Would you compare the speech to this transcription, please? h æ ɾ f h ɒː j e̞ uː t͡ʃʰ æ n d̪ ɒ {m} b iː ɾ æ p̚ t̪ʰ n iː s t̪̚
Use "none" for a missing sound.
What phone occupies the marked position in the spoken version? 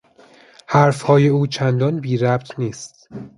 n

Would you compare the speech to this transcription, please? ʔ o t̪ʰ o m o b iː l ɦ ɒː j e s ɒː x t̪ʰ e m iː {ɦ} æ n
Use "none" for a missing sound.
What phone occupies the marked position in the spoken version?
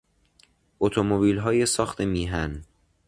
ɦ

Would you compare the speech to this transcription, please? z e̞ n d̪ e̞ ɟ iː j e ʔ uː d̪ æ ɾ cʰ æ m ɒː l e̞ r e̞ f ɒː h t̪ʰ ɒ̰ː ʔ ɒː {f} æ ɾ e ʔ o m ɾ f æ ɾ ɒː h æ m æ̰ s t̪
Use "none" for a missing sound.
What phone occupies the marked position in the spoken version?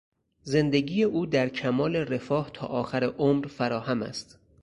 x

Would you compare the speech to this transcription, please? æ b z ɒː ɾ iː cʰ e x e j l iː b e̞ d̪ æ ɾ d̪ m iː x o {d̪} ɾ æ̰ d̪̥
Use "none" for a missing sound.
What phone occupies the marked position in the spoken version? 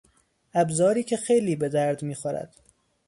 none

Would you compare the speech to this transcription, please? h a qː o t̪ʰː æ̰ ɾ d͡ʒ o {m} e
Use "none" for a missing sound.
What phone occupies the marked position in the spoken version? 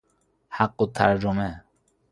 m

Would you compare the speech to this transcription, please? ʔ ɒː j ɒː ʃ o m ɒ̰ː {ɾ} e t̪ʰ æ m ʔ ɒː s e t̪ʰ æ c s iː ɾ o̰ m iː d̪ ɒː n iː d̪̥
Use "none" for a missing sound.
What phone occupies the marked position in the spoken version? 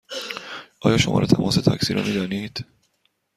ɾ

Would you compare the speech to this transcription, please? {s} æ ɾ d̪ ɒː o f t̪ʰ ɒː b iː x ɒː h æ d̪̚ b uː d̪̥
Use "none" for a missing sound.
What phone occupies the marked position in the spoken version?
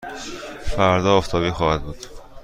f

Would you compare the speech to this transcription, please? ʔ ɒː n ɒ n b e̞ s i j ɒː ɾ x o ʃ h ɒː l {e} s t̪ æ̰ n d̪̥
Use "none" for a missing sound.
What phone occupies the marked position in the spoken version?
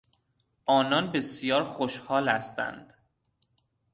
æ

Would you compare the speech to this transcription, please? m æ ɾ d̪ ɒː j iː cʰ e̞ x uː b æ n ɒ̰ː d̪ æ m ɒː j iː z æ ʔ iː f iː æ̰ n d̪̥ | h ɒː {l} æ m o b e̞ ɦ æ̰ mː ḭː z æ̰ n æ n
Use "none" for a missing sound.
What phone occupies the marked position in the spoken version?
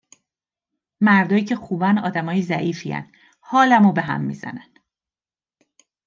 l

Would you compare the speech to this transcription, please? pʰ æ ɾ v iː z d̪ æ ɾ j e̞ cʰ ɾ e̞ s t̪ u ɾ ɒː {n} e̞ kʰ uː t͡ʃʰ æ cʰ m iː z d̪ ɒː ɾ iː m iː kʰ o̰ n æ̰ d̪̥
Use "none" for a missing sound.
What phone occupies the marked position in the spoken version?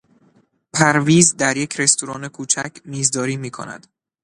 n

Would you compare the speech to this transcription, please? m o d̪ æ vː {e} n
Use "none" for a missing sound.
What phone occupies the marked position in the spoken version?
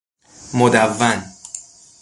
æ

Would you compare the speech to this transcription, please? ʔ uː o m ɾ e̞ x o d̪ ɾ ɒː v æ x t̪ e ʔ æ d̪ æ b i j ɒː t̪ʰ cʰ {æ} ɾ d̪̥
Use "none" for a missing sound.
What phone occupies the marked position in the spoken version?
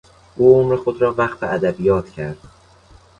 æ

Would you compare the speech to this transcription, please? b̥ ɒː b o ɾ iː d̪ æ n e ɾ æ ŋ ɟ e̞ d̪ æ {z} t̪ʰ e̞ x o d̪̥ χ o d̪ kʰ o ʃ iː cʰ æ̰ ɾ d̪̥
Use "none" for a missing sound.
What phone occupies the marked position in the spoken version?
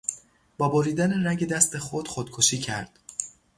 s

